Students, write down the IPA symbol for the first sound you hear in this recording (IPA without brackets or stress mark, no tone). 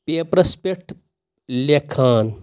p